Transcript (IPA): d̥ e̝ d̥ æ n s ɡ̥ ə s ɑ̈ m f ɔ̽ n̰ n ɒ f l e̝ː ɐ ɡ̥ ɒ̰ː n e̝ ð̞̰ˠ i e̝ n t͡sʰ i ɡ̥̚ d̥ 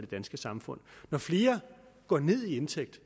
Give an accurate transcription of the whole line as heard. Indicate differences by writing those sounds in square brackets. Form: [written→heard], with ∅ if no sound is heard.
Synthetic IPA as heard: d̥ e̝ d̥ æ n s ɡ̥ ə s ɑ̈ m f ɔ̽ n̰ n ɒ f l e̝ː ɐ ɡ̥ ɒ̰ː n e̝ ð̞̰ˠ i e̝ n t͡sʰ [i→e] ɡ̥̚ d̥